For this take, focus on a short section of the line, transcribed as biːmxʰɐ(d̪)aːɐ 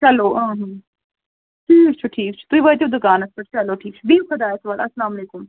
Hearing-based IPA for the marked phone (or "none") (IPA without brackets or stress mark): d̪